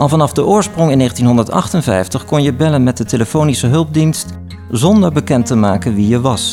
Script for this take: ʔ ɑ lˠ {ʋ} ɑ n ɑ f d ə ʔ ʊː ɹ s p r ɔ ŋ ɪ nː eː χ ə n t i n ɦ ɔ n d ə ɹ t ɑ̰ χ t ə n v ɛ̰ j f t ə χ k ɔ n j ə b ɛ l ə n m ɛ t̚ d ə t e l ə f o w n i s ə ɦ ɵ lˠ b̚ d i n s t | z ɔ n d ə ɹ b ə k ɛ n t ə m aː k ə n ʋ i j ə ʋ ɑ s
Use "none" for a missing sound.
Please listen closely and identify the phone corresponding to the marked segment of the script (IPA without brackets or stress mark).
v